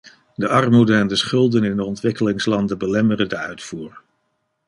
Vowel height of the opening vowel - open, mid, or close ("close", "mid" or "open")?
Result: mid